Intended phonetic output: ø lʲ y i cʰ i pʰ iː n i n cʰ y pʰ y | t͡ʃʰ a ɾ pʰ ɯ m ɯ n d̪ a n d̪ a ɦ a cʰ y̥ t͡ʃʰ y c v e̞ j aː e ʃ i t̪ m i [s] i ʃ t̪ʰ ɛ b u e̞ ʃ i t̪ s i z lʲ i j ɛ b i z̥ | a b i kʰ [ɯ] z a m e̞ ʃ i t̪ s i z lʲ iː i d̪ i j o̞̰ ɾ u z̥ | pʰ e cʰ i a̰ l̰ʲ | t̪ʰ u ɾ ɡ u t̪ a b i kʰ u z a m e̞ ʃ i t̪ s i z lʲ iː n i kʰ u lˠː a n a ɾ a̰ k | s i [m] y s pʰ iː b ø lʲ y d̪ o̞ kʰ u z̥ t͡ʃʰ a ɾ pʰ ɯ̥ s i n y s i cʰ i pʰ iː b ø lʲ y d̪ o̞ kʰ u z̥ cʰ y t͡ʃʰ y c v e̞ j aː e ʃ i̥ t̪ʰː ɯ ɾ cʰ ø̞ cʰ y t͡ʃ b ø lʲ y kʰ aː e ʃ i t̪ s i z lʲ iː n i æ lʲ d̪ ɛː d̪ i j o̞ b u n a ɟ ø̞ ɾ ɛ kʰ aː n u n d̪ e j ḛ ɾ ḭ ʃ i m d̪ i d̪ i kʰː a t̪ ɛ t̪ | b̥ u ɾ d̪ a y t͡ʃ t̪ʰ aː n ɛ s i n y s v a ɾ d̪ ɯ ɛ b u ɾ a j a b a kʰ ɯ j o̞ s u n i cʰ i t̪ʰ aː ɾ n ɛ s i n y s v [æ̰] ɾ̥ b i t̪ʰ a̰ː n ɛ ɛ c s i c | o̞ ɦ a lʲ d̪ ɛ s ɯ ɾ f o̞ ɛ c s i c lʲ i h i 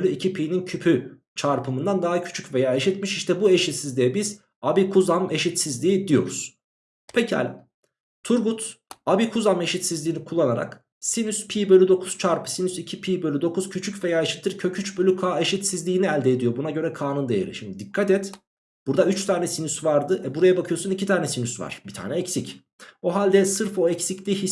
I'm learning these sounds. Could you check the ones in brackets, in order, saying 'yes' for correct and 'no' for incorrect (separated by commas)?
no, no, no, no